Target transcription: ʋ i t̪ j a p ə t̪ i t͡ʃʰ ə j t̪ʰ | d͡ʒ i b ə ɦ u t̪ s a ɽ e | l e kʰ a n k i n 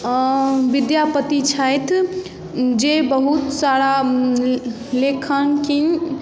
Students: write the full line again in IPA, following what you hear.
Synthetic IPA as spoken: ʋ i d̪ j a p ə t̪ i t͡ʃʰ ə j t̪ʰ | d͡ʒ e b ə ɦ u t̪ s a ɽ a | l e kʰ ə n k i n

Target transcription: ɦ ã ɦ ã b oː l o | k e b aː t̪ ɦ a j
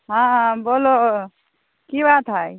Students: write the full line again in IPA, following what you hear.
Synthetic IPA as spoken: ɦ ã ɦ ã b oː l o | k i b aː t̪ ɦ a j

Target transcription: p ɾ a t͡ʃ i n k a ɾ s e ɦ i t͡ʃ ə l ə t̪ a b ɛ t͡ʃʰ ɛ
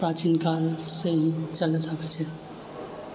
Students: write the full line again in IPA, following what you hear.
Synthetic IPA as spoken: p ɾ a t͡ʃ i n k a l s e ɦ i t͡ʃ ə l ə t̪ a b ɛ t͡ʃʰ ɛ

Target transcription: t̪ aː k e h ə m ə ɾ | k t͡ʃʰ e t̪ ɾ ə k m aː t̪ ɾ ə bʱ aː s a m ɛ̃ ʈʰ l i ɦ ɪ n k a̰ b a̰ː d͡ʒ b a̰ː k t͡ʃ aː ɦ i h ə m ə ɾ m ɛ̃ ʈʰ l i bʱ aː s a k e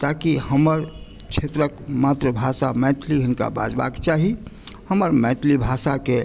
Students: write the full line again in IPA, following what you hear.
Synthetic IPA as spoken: t̪ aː k i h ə m ə ɾ | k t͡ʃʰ e t̪ ɾ ə k m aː t̪ ɾ ə bʱ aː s a m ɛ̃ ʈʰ l i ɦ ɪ n k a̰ b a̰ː d͡ʒ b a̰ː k t͡ʃ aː ɦ i h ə m ə ɾ m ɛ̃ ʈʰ l i bʱ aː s a k e

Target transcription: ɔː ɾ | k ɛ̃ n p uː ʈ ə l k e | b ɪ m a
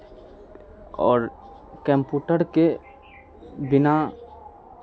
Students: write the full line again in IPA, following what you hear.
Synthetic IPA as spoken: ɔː ɾ | k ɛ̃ m p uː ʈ ə ɾ k e | b ɪ n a

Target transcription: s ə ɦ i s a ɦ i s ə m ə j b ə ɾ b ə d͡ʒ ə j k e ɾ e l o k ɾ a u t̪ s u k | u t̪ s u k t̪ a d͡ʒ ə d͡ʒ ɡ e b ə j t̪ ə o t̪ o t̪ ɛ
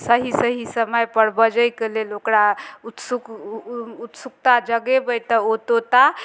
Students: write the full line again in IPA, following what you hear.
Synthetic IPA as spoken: s ə ɦ i s ə ɦ i s ə m ə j p ə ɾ b ə d͡ʒ ə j k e l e l o k ɾ a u t̪ s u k | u t̪ s u k t̪ a d͡ʒ ə ɡ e b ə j t̪ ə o t̪ o t̪ a

